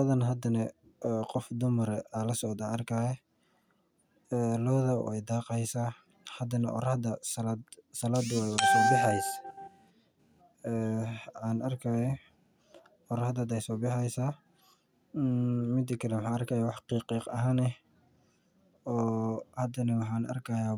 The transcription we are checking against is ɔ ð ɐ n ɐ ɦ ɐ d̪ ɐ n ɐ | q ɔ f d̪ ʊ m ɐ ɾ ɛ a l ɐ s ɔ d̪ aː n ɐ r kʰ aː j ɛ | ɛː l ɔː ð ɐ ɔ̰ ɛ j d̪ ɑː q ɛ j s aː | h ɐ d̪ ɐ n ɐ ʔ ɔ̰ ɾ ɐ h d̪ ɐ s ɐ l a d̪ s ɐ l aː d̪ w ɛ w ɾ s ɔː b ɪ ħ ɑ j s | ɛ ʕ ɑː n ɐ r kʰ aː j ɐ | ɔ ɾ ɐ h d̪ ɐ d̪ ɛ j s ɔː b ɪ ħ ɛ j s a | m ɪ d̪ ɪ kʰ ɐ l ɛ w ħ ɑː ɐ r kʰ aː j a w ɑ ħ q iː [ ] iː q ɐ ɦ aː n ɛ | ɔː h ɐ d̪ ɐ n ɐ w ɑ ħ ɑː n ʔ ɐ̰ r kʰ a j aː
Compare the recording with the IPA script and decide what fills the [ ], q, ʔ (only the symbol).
q